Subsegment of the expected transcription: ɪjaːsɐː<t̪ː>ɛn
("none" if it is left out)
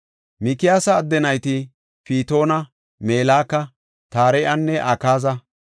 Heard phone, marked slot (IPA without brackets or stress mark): d̪ː